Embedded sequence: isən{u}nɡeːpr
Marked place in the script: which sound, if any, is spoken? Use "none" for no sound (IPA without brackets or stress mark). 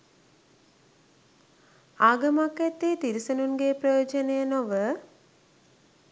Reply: u